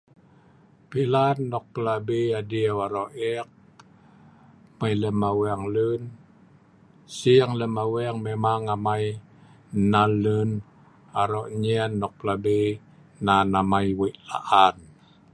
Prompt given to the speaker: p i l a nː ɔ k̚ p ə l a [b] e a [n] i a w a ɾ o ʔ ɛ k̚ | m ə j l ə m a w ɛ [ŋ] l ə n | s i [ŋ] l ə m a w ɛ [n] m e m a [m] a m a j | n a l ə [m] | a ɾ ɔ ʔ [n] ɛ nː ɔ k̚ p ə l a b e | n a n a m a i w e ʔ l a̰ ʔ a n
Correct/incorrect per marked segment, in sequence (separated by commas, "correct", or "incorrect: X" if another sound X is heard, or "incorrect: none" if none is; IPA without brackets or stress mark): correct, incorrect: d, correct, correct, incorrect: ŋ, incorrect: ŋ, incorrect: n, incorrect: ɲ